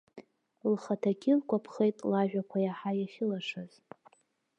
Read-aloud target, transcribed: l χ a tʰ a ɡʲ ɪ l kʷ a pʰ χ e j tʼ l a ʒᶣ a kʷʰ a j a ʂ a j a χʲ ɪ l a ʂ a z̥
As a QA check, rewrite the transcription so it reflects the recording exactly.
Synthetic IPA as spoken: l χ a tʰ a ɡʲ ɪ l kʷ a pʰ χ e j tʼ l a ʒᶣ a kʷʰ a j a ħ a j a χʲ ɪ l a ʂ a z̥